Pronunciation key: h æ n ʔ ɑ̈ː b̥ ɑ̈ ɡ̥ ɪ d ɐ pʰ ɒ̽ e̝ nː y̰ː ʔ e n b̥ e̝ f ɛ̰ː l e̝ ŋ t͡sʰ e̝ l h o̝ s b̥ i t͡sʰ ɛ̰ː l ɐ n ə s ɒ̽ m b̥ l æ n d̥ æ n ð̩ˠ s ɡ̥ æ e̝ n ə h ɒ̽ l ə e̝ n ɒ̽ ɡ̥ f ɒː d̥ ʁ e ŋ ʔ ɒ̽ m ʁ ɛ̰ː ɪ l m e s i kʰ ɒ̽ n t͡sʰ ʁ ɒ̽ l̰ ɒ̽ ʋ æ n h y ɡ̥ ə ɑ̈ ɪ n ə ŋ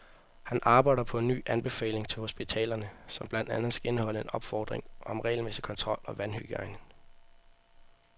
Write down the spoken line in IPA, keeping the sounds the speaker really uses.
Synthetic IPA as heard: h æ n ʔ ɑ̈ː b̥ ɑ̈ ɪ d ɐ pʰ ɒ̽ e̝ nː y̰ː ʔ æ n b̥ e̝ f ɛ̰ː l e̝ ŋ t͡sʰ e̝ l h o̝ s b̥ i t͡sʰ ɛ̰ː l ɐ n ə s ɒ̽ m b̥ l æ n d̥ æ n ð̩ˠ s ɡ̥ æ e̝ n ə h ɒ̽ l ə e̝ n ɒ̽ b̥ f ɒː d̥ ʁ e ŋ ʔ ɒ̽ m ʁ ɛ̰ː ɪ l m e s i kʰ ɒ̽ n t͡sʰ ʁ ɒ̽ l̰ ɒ̽ ʋ æ n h y ɡ̥ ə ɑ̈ ɪ n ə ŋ